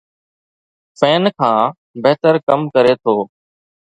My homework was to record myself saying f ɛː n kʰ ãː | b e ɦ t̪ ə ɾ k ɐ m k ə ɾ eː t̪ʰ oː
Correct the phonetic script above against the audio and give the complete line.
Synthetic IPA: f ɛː n kʰ ãː | b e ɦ t̪ ə ɾ k ə m k ə ɾ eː t̪ʰ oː